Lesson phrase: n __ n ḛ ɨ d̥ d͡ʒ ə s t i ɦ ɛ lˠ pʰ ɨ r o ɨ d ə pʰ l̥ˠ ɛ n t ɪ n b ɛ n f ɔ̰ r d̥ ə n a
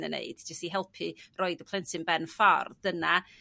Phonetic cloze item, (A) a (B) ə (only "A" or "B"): B